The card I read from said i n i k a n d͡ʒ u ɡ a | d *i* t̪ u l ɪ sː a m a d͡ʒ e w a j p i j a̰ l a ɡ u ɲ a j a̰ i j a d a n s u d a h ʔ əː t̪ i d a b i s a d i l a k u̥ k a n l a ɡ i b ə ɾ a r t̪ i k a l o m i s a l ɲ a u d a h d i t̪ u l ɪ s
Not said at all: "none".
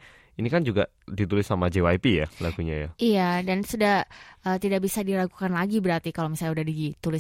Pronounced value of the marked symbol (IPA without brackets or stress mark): i